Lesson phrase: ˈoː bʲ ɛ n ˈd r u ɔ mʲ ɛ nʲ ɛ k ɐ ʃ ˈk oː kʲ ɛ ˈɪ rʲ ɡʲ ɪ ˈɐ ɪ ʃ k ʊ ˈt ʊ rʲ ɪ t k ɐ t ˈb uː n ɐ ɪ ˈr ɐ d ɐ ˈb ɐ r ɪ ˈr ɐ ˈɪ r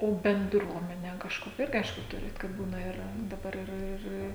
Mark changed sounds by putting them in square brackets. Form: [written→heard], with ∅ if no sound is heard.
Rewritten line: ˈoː bʲ ɛ n ˈd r u ɔ mʲ ɛ nʲ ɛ k ɐ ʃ ˈk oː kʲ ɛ ˈɪ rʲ ɡʲ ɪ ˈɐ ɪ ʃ k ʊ ˈt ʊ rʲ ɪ t k ɐ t ˈb uː n ɐ ɪ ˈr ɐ d ɐ ˈb ɐ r ɪ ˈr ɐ ˈɪ r